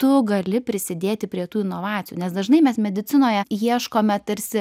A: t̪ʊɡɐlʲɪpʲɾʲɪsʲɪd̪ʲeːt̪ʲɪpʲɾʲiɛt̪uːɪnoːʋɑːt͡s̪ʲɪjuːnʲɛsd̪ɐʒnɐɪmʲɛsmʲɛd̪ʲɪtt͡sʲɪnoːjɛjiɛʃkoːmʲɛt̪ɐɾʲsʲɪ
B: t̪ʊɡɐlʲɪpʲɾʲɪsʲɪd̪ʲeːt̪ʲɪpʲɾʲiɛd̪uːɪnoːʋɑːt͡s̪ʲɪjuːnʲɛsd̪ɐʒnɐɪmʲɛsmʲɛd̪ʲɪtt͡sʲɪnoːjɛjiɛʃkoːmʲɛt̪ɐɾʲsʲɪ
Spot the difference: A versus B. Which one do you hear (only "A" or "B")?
A